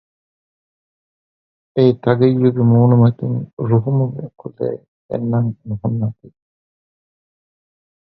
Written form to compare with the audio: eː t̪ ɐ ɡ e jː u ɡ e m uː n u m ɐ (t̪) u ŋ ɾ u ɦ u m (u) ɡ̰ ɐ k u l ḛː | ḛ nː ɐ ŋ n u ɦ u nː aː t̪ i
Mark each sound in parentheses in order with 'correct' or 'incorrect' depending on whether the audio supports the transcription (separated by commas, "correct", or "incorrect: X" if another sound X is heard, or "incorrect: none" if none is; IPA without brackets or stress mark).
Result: correct, correct